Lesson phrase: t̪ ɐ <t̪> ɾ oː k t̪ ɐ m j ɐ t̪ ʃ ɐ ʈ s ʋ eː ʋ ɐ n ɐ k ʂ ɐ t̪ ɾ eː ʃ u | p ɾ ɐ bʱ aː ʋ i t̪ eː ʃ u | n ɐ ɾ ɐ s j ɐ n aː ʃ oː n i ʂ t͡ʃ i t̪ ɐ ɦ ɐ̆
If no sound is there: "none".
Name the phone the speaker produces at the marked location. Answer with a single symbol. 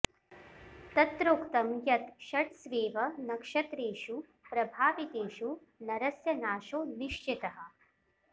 t̪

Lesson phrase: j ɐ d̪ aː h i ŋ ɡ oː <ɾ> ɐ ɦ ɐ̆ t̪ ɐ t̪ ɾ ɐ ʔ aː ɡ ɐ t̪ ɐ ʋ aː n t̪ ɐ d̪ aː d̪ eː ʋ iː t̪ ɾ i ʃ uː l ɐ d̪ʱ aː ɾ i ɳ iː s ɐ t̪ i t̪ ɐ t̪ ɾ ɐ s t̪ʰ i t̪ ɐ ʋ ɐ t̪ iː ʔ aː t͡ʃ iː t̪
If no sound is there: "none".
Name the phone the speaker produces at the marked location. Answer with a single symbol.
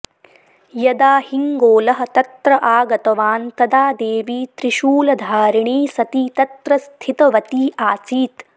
l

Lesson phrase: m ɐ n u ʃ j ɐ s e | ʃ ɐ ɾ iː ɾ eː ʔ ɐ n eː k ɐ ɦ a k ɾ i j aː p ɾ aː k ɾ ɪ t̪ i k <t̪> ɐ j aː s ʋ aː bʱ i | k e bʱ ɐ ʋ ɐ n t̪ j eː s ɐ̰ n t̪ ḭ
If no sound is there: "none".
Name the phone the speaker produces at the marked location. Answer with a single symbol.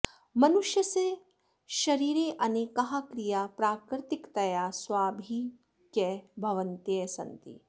t̪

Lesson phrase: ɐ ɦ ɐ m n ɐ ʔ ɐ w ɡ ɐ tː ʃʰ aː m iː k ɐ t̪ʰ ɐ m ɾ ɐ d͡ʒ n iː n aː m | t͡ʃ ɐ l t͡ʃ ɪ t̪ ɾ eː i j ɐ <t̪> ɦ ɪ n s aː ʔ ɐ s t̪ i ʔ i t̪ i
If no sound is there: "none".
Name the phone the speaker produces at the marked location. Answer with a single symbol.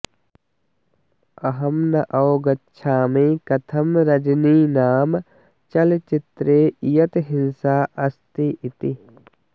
t̪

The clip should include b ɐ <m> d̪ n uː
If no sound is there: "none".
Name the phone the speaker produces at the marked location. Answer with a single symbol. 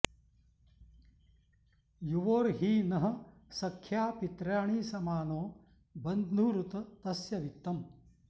n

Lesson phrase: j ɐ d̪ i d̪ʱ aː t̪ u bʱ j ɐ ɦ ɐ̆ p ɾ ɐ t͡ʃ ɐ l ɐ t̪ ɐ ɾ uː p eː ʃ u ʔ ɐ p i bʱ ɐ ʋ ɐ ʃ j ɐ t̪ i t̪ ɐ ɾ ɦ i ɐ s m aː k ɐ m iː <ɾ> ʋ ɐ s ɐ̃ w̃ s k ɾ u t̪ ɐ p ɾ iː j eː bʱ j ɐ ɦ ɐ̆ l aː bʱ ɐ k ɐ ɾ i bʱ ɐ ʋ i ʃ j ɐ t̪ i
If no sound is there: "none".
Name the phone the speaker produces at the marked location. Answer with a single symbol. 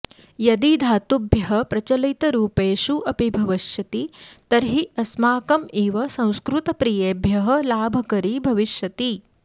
none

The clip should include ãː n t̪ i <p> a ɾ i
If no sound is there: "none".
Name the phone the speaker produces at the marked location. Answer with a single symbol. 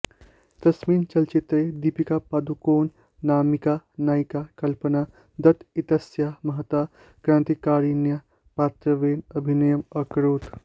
k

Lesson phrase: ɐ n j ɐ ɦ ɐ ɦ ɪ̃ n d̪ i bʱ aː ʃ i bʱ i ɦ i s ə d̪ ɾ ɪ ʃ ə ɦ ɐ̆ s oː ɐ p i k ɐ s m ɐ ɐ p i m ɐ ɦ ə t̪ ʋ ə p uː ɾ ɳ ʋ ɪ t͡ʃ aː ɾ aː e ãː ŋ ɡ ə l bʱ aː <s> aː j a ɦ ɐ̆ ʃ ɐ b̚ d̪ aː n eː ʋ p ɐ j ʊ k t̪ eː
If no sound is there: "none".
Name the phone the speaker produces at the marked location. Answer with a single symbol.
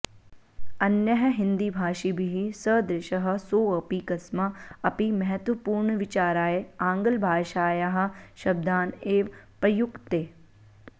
ʃ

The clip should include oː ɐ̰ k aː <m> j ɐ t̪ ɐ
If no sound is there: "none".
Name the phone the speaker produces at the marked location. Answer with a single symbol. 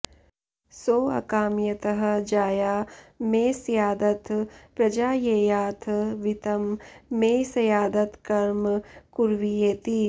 m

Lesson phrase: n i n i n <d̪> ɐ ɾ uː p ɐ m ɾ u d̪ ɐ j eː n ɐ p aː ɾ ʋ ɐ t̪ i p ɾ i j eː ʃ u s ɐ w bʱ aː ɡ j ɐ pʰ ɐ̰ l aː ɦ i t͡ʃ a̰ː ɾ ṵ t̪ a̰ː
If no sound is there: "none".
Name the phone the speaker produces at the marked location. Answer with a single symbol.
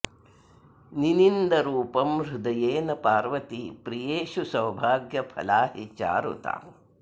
d̪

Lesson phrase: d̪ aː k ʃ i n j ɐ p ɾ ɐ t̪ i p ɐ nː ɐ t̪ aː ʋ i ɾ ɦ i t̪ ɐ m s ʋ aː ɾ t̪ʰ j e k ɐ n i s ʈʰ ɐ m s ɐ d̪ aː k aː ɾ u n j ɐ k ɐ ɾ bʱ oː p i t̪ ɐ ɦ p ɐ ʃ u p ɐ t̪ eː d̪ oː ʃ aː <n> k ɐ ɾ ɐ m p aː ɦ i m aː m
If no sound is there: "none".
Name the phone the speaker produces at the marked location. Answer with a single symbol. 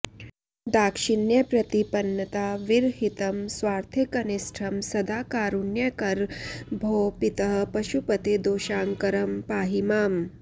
ŋ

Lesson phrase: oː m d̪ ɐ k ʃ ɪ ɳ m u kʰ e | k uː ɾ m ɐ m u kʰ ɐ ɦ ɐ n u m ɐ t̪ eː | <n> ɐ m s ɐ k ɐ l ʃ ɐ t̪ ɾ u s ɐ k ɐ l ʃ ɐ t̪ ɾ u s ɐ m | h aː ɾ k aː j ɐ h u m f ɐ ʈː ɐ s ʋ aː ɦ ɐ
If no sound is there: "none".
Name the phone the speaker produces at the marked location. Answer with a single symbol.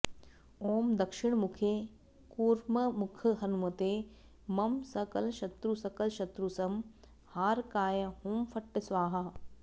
m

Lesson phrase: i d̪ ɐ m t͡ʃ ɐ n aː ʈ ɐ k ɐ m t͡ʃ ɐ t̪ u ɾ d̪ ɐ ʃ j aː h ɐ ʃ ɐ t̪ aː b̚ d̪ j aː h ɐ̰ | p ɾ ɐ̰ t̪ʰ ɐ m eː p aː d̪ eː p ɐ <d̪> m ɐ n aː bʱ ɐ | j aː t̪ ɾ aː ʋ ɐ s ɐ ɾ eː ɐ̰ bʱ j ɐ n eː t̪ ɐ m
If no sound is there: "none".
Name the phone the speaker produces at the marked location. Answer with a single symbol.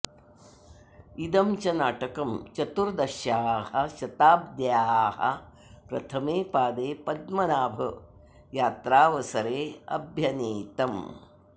d̪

